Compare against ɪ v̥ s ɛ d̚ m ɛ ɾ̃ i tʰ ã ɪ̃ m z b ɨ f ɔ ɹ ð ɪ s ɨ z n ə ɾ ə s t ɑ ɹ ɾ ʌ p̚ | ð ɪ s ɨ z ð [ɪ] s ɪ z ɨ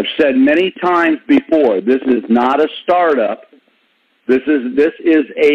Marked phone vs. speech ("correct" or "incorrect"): correct